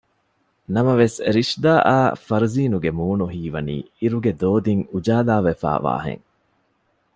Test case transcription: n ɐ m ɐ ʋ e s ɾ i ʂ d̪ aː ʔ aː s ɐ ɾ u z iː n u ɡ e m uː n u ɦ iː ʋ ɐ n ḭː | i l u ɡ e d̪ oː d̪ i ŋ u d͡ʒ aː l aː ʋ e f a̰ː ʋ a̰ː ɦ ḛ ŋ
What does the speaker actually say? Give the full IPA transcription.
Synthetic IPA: n ɐ m ɐ ʋ e s ɾ i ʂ d̪ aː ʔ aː f ɐ ɾ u z iː n u ɡ e m uː n u ɦ iː ʋ ɐ n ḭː | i ɾ u ɡ e d̪ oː d̪ i ŋ u d͡ʒ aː l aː ʋ e f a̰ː ʋ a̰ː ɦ ḛ ŋ